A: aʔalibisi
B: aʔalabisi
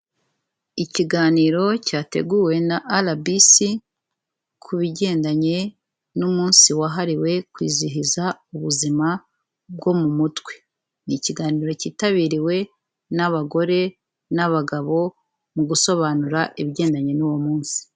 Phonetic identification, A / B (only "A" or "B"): B